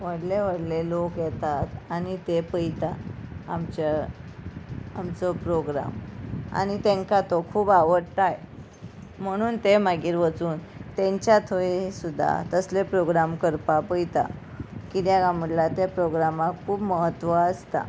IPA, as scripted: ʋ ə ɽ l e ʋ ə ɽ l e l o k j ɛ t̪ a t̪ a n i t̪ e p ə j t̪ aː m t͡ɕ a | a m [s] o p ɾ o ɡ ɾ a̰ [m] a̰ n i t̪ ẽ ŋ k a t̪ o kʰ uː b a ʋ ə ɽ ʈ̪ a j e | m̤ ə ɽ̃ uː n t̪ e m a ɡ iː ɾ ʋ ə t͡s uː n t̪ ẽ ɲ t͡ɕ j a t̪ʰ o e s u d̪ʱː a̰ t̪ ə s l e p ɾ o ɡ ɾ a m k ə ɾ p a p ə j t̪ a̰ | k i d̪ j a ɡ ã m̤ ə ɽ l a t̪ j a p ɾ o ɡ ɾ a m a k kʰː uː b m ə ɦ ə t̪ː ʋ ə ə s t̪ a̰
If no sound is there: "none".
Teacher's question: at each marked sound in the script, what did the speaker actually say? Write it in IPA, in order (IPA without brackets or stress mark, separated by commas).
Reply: t͡s, m